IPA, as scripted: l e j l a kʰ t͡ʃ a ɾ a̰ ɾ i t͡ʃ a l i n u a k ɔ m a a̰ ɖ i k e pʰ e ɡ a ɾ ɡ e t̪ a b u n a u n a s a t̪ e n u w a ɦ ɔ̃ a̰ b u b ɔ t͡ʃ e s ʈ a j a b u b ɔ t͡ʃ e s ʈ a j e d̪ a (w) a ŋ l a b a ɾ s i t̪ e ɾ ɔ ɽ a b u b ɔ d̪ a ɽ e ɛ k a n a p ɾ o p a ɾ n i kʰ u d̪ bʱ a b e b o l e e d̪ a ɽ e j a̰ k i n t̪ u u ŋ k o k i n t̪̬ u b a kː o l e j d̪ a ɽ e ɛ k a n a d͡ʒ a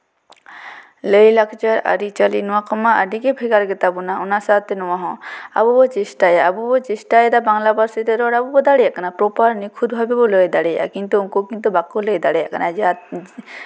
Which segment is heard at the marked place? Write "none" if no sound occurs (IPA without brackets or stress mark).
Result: b